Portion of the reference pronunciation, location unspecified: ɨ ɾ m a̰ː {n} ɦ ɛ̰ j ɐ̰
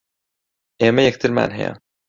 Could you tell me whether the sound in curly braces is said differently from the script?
no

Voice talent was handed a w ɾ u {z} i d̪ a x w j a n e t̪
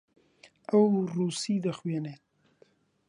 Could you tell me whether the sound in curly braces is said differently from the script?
yes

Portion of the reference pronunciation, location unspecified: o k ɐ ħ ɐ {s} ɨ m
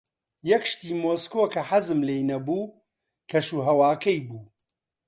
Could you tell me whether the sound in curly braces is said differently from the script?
yes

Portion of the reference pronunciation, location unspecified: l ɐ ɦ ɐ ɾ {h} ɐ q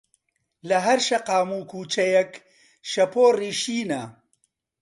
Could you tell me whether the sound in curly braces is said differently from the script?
yes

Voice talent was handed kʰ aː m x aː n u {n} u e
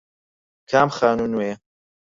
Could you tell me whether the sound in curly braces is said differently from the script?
no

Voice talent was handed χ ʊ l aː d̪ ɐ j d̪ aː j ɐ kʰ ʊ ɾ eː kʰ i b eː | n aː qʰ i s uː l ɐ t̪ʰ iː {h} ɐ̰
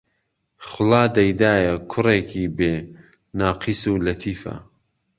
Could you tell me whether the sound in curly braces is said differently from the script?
yes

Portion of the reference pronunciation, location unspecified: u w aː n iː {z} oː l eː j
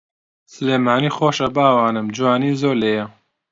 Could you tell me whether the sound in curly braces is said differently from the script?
no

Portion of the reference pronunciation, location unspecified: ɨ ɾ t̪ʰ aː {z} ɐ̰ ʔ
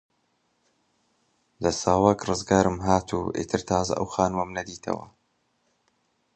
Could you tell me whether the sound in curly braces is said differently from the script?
no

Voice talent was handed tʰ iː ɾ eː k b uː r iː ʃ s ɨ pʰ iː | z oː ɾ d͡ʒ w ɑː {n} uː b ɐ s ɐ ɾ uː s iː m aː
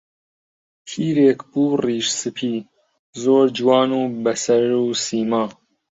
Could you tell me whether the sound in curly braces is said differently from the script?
no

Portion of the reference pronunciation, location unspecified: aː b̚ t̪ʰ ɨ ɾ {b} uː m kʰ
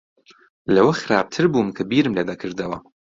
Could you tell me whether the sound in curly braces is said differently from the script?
no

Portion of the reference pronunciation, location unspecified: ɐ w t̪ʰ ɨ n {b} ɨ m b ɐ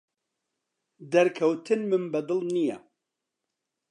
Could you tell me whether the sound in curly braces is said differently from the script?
yes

